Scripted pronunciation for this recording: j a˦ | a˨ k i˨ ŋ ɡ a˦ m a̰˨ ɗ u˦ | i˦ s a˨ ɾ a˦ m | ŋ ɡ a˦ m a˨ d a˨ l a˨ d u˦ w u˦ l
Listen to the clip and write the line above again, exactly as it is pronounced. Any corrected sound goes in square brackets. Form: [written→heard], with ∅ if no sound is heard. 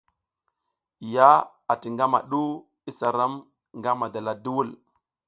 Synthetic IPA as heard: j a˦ | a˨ [k→t] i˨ ŋ ɡ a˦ m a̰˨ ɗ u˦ | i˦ s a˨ ɾ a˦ m | ŋ ɡ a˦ m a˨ d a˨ l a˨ d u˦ w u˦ l